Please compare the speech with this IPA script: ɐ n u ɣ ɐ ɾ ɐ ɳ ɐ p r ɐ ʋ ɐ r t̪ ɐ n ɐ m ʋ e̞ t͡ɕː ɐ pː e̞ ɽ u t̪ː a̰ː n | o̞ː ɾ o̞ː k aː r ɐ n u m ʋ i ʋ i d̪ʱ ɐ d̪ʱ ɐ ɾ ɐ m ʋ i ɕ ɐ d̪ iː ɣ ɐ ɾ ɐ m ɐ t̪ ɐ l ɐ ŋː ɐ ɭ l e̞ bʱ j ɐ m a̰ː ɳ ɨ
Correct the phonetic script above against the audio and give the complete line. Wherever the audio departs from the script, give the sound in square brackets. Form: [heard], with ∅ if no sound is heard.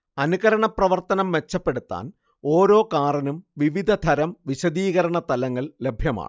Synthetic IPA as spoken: ɐ n u ɣ ɐ ɾ ɐ ɳ ɐ p r ɐ ʋ ɐ r t̪ ɐ n ɐ m ʋ e̞ t͡ɕː ɐ pː e̞ ɽ u t̪ː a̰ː n | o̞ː ɾ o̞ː k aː r ɐ n u m ʋ i ʋ i d̪ʱ ɐ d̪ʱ ɐ ɾ ɐ m ʋ i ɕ ɐ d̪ iː ɣ ɐ ɾ ɐ [ɳ] ɐ t̪ ɐ l ɐ ŋː ɐ ɭ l e̞ bʱ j ɐ m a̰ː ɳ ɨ